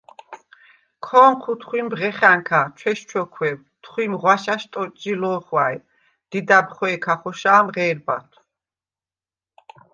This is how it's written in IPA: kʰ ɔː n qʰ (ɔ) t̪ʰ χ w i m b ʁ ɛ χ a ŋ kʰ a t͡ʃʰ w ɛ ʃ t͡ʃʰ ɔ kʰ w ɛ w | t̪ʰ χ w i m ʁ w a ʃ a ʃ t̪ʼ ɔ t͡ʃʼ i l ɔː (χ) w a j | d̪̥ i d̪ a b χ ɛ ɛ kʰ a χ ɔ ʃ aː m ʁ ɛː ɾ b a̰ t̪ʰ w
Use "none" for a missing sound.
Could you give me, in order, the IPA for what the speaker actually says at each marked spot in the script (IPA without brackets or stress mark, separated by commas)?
u, χ